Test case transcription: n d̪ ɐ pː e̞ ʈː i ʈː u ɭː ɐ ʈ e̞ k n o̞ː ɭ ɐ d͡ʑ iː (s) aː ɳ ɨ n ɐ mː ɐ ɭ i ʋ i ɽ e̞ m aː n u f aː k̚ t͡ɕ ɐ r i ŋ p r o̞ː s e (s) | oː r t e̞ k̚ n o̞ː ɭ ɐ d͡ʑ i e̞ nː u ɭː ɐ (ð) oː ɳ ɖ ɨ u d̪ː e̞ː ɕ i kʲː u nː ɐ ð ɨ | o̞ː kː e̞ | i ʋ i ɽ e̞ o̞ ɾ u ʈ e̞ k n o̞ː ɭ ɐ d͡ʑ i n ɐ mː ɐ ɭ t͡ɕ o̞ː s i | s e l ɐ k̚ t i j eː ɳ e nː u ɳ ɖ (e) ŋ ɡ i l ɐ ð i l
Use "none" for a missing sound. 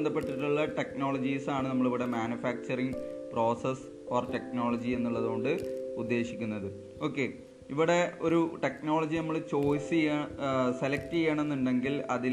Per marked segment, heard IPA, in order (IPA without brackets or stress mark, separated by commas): s, s, ð, e